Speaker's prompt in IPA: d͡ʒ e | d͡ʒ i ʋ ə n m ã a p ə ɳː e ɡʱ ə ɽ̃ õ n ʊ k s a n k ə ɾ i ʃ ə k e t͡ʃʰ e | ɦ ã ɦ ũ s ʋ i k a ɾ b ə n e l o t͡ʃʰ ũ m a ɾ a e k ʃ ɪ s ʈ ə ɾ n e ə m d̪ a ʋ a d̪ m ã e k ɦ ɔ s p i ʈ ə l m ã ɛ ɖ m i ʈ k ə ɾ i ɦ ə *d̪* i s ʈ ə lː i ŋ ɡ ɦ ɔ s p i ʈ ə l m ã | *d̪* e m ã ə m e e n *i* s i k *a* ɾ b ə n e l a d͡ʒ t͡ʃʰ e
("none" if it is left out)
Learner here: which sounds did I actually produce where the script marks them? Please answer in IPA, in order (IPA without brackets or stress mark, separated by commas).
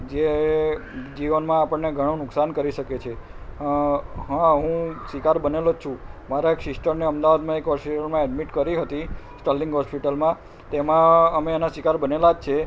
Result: t̪, t̪, a, a